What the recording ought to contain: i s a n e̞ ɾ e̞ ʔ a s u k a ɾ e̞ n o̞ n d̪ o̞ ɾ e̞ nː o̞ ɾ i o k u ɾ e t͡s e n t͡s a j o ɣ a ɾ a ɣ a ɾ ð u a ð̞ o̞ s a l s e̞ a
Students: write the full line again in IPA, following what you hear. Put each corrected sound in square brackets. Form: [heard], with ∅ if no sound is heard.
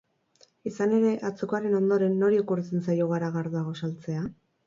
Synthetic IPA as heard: i s a n e̞ ɾ e̞ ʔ a [t͡s] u k a ɾ e̞ n o̞ n d̪ o̞ ɾ e̞ nː o̞ ɾ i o k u ɾ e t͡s e n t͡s a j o ɣ a ɾ a ɣ a ɾ ð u a [ɣ̞] o̞ s a l [t͡s] e̞ a